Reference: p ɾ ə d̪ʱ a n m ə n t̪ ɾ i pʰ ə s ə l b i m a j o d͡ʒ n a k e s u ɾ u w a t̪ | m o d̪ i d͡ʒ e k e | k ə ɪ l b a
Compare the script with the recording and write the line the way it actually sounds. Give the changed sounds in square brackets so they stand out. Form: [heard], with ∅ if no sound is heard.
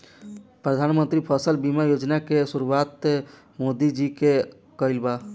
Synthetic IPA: p ɾ ə d̪ʱ a n m ə n t̪ ɾ i pʰ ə s ə l b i m a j o d͡ʒ n a k e s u ɾ u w a t̪ | m o d̪ i d͡ʒ [i] k e | k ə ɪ l b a